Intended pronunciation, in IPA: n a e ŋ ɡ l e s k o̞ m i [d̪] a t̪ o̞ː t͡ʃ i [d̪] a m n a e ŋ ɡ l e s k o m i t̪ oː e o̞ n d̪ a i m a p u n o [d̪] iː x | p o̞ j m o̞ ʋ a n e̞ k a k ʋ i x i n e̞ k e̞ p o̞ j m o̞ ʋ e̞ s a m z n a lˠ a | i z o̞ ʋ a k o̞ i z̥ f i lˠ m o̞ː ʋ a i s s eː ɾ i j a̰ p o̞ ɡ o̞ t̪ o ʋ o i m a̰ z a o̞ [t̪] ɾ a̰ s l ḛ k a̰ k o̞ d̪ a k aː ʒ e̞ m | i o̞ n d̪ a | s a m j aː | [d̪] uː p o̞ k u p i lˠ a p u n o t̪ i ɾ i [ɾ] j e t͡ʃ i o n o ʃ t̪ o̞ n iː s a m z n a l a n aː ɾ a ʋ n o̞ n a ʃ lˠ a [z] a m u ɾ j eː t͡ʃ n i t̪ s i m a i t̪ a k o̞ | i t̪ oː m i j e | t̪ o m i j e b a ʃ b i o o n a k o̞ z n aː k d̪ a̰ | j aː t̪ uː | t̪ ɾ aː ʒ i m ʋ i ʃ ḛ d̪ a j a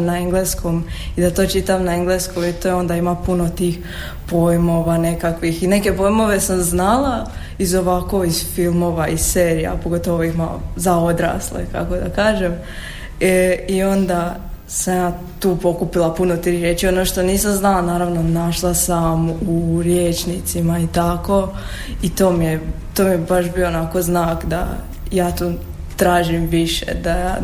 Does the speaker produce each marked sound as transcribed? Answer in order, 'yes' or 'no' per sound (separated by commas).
yes, no, no, no, no, yes, no